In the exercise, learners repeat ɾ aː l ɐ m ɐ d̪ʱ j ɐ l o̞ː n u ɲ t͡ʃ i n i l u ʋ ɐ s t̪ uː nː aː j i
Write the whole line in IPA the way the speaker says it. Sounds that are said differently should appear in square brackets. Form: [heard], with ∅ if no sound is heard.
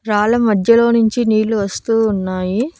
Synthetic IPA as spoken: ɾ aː l ɐ m ɐ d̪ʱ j ɐ l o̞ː n u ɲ t͡ʃ i n [iː] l u ʋ ɐ s t̪ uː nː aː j i